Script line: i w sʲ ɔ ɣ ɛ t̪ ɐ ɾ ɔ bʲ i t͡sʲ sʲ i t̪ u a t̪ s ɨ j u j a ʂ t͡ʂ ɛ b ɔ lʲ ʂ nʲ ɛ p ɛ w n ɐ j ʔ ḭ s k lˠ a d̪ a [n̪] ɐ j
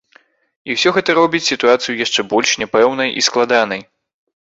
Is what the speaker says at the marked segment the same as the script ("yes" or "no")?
yes